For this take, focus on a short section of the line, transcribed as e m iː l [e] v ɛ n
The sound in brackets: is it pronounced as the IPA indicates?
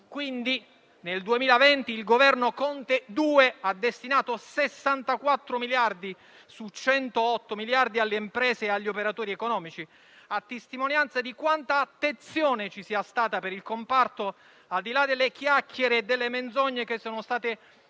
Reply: no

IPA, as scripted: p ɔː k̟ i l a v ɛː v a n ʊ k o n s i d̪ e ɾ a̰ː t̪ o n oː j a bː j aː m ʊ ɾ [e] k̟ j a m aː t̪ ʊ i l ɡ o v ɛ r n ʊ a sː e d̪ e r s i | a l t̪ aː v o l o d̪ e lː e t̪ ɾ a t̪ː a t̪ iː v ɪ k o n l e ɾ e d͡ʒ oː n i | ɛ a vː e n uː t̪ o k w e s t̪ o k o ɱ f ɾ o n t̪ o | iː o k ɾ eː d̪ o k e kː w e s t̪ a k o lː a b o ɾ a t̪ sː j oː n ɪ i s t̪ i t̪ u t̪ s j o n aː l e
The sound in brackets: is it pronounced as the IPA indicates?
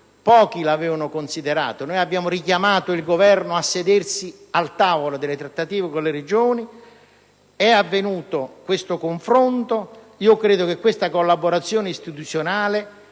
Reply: no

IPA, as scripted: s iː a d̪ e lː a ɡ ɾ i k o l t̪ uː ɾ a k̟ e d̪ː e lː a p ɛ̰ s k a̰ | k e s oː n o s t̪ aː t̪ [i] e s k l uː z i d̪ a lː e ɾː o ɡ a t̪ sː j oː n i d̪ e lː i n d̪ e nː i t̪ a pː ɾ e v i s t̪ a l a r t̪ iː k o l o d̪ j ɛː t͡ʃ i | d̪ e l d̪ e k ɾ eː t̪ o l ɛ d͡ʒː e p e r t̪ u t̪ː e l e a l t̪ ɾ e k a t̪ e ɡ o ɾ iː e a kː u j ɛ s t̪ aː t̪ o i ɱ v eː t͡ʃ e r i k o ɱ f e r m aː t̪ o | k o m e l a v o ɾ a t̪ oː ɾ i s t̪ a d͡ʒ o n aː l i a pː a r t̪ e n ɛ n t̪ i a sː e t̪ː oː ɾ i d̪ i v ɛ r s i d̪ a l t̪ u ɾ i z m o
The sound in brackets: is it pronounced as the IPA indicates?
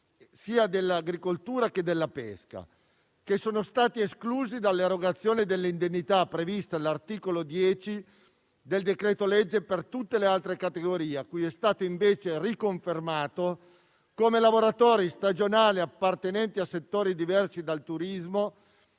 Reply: yes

